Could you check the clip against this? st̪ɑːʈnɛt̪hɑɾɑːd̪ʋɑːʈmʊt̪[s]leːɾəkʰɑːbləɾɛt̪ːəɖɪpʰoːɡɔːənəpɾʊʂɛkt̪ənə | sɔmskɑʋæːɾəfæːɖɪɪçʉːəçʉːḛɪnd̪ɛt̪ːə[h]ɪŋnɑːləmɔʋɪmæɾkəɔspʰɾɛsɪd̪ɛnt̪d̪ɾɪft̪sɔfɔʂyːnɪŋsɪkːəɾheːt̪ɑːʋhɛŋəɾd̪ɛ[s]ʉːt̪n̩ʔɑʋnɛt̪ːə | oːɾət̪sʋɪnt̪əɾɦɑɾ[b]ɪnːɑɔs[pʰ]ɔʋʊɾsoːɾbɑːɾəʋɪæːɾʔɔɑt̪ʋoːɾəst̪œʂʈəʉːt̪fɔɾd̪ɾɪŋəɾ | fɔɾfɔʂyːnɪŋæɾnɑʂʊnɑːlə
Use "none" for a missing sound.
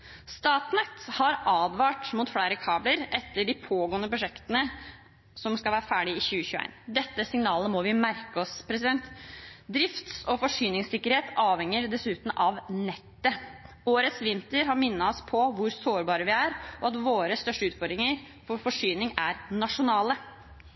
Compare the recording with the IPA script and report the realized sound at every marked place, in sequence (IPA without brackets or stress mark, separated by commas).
f, s, s, m, pʰ